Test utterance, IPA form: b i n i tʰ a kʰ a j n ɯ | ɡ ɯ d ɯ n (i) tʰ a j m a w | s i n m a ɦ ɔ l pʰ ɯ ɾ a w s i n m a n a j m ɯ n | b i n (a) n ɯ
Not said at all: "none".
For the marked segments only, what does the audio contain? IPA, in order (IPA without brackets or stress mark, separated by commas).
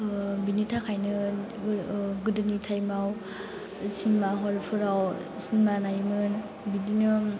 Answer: i, i